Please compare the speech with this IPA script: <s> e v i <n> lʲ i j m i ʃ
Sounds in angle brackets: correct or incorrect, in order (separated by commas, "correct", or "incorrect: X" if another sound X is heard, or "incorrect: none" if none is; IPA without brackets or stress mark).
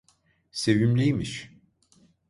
correct, incorrect: m